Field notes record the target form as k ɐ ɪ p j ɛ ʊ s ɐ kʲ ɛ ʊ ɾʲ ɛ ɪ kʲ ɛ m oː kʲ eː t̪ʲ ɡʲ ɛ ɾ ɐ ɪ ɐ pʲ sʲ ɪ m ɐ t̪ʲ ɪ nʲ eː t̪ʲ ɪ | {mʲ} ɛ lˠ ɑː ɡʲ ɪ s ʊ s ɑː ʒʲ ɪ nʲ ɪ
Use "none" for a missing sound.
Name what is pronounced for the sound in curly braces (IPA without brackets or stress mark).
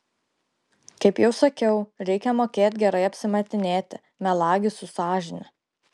mʲ